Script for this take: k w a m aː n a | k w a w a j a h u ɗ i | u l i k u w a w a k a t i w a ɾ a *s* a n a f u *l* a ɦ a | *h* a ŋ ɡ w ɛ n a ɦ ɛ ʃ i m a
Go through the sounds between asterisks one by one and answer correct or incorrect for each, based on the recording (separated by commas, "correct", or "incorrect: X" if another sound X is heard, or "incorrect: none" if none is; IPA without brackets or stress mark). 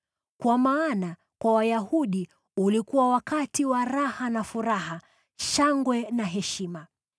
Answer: incorrect: h, incorrect: ɾ, incorrect: ʃ